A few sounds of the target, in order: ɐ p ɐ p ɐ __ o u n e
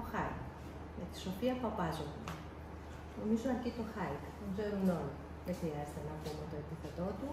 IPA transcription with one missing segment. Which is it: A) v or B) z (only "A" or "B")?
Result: B